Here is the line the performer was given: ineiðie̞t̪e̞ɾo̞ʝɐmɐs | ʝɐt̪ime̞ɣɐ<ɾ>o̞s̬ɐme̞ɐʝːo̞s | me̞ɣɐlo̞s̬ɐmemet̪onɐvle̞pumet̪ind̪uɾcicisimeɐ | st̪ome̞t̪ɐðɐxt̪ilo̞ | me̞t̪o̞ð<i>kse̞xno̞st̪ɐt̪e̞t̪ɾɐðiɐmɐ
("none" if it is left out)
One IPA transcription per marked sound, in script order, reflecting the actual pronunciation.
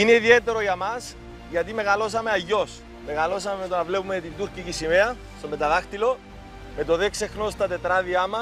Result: l, e

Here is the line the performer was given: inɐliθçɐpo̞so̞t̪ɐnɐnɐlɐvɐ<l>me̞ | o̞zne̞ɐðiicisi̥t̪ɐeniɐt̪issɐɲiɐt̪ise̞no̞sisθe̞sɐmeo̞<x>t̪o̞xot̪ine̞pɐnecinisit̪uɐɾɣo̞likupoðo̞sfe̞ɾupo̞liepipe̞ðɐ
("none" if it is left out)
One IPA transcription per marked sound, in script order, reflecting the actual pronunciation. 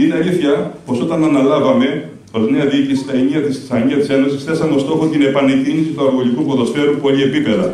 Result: none, s

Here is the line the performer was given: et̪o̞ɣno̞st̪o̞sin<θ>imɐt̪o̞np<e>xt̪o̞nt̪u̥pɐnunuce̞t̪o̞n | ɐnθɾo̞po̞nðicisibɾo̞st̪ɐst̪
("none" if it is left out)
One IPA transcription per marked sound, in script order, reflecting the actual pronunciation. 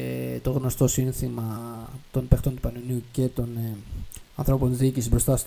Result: θ, e

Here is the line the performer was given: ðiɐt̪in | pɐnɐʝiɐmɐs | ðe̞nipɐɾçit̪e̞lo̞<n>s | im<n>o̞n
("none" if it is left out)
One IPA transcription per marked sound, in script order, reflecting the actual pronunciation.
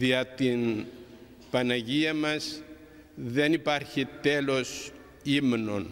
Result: none, n

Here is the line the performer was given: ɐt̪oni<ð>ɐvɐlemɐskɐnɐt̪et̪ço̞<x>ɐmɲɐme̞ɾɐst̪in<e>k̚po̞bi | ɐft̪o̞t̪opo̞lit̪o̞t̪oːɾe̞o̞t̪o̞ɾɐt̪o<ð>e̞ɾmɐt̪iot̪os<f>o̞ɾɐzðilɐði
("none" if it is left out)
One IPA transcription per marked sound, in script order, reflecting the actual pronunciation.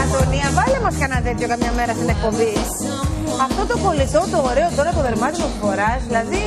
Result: none, k, e, ð, f

